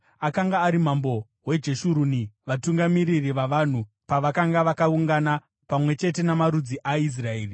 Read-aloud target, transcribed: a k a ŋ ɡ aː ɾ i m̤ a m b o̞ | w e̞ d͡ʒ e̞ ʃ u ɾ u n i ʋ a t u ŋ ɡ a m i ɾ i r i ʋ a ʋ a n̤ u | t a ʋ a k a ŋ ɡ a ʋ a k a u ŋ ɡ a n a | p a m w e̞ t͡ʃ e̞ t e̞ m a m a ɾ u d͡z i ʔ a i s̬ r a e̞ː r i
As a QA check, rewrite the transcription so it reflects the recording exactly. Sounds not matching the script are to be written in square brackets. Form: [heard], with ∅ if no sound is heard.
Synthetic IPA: a k a ŋ ɡ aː ɾ i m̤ a m b o̞ | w e̞ d͡ʒ e̞ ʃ u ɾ u n i ʋ a t u ŋ ɡ a m i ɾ i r i ʋ a ʋ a n̤ u | [p] a ʋ a k a ŋ ɡ a ʋ a k a u ŋ ɡ a n a | p a m w e̞ t͡ʃ e̞ t e̞ [n] a m a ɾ u d͡z i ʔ a i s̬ r a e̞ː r i